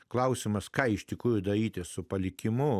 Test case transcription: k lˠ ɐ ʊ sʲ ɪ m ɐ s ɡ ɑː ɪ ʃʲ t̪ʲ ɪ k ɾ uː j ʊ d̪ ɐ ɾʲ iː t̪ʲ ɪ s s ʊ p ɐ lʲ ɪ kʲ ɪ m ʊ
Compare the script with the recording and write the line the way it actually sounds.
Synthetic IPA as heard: k lˠ ɐ ʊ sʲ ɪ m ɐ s k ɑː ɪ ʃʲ t̪ʲ ɪ k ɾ uː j ʊ d̪ ɐ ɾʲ iː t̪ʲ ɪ s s ʊ p ɐ lʲ ɪ kʲ ɪ m ʊ